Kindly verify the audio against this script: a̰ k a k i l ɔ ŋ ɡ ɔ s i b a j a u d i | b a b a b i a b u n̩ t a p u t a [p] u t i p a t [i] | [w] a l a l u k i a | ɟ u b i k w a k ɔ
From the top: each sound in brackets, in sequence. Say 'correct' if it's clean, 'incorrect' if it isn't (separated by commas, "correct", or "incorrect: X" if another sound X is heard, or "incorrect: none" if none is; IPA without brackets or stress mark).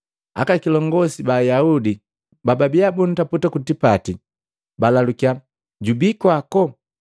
incorrect: k, correct, incorrect: b